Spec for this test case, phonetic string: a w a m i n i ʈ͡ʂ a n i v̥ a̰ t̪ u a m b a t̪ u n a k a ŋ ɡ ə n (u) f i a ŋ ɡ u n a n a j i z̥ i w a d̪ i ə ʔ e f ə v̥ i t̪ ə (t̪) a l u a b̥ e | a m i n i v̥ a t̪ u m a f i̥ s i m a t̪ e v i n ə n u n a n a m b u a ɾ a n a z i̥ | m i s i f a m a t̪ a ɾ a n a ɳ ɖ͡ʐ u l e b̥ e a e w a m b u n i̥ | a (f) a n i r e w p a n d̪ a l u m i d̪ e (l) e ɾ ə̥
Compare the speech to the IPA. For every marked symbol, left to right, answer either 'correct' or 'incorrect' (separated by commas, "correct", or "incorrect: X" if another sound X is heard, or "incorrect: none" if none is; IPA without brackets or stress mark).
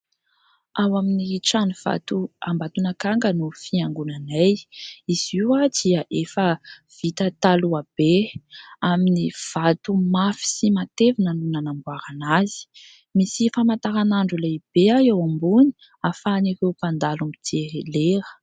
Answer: correct, correct, correct, correct